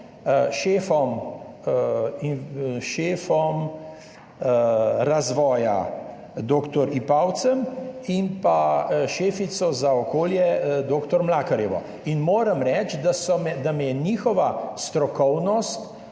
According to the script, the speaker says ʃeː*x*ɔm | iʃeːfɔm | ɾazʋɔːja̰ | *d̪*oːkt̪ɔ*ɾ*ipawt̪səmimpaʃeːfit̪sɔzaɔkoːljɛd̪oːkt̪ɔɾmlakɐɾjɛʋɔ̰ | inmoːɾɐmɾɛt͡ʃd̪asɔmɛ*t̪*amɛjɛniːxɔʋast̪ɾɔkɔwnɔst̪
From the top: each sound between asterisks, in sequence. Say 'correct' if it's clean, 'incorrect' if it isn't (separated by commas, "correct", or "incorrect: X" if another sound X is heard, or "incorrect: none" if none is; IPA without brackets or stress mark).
incorrect: f, correct, correct, incorrect: d̪